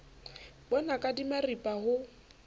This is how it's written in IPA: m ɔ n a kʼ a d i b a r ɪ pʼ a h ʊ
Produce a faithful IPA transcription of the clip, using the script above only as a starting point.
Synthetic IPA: b ɔ n a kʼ a d i m a r i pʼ a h ʊ